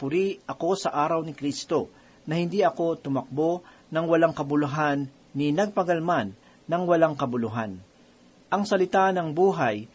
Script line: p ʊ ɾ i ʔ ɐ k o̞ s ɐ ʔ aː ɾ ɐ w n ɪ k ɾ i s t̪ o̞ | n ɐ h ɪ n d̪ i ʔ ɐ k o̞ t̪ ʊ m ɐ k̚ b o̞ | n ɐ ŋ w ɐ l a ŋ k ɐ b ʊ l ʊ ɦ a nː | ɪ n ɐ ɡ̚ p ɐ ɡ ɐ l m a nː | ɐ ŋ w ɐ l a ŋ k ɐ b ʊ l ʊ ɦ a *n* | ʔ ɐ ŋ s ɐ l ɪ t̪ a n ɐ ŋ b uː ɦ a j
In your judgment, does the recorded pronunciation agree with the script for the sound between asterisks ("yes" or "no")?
yes